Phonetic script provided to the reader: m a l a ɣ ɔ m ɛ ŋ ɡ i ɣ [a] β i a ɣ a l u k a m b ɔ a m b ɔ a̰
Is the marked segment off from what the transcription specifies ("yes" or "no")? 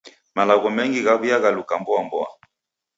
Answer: no